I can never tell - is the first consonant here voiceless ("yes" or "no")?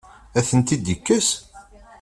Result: yes